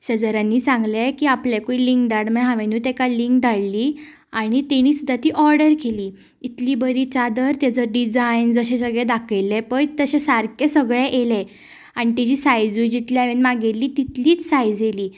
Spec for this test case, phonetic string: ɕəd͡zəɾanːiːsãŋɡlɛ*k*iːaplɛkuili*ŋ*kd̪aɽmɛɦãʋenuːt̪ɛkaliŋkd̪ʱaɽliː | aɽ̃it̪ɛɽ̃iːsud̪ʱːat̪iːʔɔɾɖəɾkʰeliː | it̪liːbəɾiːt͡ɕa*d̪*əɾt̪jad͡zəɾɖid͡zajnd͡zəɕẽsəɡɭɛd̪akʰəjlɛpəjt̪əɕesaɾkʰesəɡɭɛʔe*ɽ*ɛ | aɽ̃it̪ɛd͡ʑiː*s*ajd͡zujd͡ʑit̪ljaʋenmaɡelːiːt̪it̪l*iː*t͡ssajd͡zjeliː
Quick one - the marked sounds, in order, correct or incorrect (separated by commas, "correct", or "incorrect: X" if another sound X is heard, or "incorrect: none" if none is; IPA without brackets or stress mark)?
correct, correct, correct, incorrect: l, correct, correct